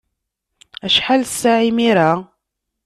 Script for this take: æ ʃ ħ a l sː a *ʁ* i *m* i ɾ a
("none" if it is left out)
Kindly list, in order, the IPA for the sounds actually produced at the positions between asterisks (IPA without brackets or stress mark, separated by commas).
ʕ, m